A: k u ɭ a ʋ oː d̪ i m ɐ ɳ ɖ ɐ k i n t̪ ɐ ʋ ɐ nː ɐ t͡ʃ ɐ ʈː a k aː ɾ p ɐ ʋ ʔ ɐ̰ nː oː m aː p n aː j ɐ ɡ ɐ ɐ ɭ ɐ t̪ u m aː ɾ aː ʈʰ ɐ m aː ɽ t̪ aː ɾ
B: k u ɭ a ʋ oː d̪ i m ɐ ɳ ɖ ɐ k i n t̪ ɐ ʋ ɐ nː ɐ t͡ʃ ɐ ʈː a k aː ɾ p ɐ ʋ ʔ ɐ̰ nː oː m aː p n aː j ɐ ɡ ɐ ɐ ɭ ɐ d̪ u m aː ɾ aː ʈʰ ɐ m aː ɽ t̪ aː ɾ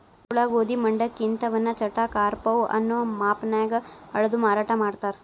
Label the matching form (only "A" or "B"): B